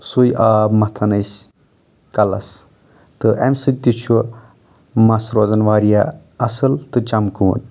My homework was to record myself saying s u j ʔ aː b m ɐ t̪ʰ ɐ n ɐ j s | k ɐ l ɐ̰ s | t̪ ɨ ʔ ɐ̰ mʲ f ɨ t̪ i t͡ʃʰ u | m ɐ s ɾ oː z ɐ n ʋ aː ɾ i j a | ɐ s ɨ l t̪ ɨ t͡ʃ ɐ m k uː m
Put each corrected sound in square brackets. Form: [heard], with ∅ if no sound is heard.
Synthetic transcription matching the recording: s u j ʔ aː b m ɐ t̪ʰ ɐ n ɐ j s | k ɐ l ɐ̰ s | t̪ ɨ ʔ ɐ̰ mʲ [s] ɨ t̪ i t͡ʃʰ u | m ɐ s ɾ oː z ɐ n ʋ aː ɾ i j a | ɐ s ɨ l t̪ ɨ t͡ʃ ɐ m k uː [n]

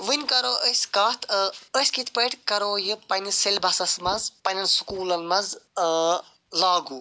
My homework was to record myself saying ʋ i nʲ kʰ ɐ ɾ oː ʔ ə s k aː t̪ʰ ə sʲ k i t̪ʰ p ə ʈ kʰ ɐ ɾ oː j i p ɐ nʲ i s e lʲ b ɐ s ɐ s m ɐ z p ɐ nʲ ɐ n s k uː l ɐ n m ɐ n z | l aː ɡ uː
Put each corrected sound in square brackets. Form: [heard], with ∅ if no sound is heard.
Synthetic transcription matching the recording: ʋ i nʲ [k] ɐ ɾ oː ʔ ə s k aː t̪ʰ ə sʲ k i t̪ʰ p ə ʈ [k] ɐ ɾ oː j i p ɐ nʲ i s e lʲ b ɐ s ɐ s m ɐ z p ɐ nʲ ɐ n s k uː l ɐ n m ɐ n z | l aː ɡ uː

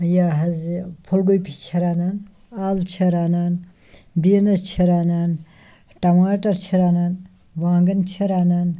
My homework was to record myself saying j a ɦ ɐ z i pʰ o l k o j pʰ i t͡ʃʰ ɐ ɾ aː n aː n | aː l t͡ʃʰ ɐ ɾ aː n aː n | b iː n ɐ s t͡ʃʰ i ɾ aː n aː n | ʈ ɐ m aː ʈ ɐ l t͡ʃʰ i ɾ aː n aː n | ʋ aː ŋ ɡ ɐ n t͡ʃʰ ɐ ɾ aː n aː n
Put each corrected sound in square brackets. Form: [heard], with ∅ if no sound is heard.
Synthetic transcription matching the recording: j a ɦ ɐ z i pʰ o l [ɡ] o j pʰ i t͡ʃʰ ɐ ɾ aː n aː n | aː l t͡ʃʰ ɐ ɾ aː n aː n | b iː n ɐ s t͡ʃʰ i ɾ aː n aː n | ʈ ɐ m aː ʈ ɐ [ɾ] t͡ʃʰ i ɾ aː n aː n | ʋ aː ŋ ɡ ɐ n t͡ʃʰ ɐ ɾ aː n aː n

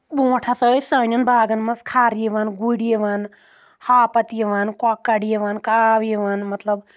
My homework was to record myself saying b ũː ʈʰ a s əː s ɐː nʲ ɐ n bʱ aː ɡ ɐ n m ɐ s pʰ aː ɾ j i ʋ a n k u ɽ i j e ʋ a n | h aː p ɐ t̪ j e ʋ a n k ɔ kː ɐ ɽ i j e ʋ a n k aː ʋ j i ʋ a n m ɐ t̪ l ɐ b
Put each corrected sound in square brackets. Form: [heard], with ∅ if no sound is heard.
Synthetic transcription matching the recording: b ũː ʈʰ a s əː s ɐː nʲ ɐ n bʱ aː ɡ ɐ n m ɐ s [kʰ] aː ɾ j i ʋ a n [ɡ] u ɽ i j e ʋ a n | h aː p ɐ t̪ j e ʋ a n k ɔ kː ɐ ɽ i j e ʋ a n k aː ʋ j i ʋ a n m ɐ t̪ l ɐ b

